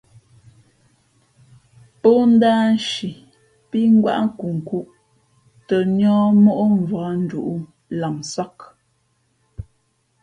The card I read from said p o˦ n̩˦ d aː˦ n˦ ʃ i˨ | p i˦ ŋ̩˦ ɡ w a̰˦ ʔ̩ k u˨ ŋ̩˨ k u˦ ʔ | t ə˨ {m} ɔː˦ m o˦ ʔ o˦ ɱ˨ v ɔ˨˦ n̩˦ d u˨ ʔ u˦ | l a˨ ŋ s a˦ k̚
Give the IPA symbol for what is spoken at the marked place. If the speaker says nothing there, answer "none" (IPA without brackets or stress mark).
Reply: ɲ